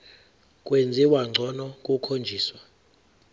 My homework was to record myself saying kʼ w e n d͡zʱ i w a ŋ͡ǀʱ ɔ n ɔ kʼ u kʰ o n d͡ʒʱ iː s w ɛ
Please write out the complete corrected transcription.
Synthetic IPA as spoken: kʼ w e n d͡zʱ i w a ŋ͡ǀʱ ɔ n ɔ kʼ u kʰ o n d͡ʒʱ iː s w a